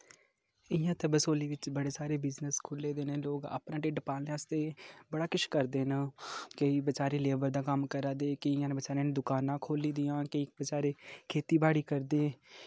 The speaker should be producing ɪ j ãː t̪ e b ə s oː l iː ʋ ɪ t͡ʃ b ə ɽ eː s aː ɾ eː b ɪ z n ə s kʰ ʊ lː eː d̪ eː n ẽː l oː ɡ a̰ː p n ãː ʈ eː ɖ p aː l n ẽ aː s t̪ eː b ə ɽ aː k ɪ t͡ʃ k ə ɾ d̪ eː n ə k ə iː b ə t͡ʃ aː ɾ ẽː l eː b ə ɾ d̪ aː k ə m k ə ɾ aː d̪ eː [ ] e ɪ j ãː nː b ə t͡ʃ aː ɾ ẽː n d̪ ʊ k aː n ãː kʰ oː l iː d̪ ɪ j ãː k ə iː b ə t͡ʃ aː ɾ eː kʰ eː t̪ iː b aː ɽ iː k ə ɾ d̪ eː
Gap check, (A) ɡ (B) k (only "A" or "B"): B